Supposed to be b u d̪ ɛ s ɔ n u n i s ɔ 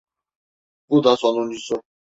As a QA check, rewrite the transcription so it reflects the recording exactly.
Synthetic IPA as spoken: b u d̪ a s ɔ n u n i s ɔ

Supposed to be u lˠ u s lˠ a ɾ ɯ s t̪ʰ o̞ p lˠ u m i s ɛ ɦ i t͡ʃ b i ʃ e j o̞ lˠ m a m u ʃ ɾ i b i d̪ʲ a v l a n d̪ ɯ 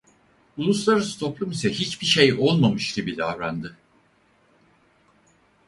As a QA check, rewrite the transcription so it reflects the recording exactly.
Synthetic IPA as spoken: u lˠ u s lˠ a ɾ ɯ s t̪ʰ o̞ p lˠ u m i s ɛ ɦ i t͡ʃ b i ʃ e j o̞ lˠ m a m ɯ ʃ ɾ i b i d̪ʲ a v ɾ a n d̪ ɯ

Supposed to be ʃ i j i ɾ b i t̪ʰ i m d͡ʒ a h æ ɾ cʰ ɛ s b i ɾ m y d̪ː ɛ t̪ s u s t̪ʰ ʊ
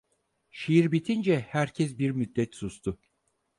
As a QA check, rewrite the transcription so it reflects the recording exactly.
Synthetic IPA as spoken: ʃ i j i ɾ b i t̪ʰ i n d͡ʒ ɛ h æ ɾ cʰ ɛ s b i ɾ m y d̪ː ɛ t̪ s u s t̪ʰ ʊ

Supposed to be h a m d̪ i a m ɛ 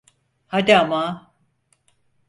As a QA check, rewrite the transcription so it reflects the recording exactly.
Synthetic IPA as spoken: h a d̪ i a m a

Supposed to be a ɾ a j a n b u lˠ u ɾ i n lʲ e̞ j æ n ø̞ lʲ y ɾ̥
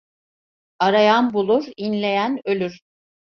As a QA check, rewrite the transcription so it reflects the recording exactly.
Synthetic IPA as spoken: a ɾ a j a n b u lˠ u ɾ i n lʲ e̞ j æ n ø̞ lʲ y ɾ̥

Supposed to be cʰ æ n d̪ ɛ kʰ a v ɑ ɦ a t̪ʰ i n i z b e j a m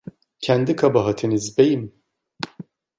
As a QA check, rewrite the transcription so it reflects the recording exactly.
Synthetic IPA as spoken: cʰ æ n d̪ i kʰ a b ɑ ɦ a t̪ʰ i n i z b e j i m

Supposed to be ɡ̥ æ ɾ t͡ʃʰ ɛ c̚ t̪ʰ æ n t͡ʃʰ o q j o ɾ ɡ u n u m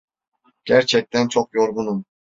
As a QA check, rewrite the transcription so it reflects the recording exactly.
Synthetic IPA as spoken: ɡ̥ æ ɾ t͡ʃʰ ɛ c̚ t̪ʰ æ n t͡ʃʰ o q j o ɾ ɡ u n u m

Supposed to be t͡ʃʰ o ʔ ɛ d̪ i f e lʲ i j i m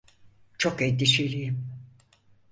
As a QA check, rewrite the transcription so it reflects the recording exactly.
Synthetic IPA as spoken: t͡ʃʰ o k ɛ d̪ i ʃ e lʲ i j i m

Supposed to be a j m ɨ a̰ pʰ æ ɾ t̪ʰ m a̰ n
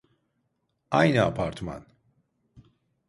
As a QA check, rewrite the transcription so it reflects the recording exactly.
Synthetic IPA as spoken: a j n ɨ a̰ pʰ a ɾ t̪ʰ m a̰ n

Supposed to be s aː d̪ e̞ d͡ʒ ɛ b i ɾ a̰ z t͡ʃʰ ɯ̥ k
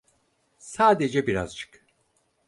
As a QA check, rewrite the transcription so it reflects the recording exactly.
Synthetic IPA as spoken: s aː d̪ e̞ d͡ʒ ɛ b i ɾ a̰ z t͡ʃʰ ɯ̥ k

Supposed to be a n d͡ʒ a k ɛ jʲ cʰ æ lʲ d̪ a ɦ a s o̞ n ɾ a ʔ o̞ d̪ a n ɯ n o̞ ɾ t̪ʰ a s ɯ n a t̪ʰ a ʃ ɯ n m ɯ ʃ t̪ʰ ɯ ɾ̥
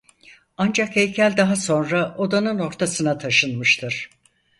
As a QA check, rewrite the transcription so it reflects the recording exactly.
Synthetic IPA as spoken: a n d͡ʒ a k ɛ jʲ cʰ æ lʲ d̪ a ɦ a s o̞ n ɾ a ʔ o̞ d̪ a n ɯ n o̞ ɾ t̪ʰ a s ɯ n a t̪ʰ a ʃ ɯ n m ɯ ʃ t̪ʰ ɯ ɾ̥

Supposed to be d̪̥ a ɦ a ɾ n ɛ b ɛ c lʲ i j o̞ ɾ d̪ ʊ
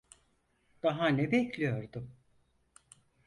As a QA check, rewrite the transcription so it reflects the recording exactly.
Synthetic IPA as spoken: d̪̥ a ɦ a n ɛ b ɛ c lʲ i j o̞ ɾ d̪ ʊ

